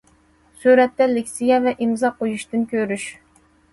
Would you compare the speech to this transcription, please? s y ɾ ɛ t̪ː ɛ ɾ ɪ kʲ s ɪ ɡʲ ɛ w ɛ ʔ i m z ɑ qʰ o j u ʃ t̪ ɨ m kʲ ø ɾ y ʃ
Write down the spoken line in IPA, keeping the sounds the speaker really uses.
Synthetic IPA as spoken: s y ɾ ɛ t̪ː ɛ l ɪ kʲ s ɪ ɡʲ ɛ v ɛ ʔ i m z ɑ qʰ o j u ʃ t̪ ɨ n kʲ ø ɾ y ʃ